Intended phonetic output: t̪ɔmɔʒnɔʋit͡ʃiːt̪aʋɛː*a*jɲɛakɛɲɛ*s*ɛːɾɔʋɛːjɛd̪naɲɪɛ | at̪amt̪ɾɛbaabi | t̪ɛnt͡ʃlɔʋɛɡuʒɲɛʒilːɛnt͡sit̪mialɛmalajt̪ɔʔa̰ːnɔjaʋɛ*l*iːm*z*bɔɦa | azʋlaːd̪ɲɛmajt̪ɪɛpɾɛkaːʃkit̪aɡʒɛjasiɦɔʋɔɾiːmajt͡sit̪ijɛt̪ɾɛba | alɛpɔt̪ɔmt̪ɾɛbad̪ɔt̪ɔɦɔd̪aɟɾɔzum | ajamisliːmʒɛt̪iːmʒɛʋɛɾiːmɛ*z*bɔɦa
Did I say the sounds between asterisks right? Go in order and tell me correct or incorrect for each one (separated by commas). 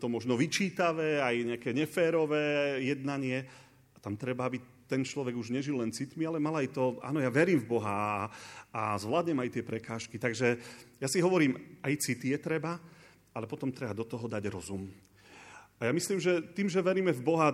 correct, incorrect, incorrect, incorrect, incorrect